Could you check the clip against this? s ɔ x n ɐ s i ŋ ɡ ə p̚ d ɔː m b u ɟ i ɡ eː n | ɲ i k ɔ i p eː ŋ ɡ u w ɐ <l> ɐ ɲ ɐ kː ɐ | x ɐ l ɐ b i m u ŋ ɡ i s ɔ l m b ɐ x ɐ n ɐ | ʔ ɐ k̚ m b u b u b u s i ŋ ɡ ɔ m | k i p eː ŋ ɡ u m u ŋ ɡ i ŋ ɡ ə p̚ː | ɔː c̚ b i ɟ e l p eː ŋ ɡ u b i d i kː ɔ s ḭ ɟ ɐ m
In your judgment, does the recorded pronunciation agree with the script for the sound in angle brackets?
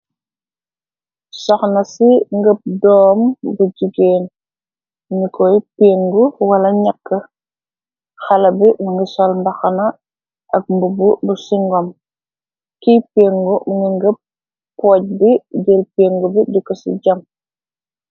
yes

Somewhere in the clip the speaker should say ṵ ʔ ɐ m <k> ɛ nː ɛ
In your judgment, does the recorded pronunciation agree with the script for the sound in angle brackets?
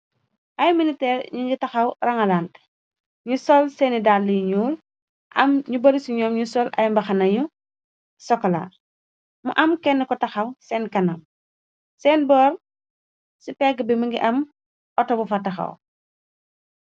yes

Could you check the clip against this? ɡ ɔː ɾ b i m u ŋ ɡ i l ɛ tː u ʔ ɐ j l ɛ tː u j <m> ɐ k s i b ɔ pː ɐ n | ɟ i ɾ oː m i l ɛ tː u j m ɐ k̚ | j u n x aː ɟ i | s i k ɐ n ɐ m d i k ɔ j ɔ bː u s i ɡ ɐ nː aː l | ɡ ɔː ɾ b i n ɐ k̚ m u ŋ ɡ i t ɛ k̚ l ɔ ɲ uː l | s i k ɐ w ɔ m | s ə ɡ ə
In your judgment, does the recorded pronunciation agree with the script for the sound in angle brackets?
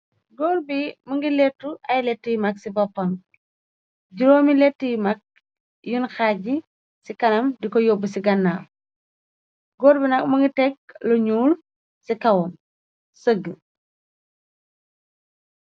yes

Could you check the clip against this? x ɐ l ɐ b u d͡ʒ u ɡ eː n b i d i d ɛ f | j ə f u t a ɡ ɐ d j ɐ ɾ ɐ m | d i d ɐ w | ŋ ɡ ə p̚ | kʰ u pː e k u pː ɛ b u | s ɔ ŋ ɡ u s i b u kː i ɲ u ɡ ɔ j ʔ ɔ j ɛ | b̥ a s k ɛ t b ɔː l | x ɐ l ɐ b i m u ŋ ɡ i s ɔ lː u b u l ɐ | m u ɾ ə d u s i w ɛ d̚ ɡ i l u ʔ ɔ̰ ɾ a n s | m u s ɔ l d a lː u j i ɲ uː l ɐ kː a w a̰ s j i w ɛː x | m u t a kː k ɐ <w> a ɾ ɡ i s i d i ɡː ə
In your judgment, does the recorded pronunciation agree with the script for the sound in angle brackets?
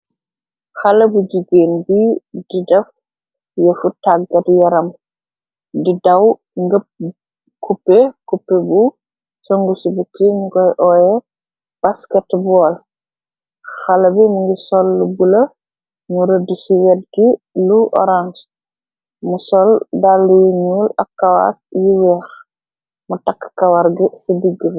yes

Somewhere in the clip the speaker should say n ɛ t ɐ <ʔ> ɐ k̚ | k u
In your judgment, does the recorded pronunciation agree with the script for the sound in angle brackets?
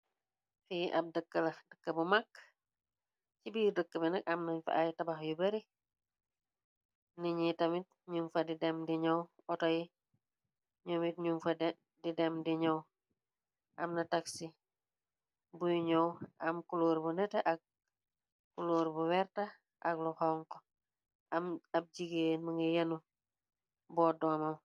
yes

